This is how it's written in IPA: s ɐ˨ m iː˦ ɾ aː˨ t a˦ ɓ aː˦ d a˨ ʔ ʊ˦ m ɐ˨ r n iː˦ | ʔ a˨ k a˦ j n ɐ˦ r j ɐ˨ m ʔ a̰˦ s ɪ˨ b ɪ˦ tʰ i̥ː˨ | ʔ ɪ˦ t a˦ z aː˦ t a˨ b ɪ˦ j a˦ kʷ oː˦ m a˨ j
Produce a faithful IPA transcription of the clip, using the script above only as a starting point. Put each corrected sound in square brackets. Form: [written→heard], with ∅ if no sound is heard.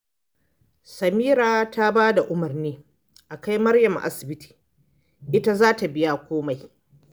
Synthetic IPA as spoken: s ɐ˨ m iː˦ ɾ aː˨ t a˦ [ɓ→b] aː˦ d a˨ ʔ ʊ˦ m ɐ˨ r n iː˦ | ʔ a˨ k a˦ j [n→m] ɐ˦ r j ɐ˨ m ʔ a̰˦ s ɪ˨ b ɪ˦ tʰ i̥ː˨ | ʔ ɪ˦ t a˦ z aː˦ t a˨ b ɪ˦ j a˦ kʷ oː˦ m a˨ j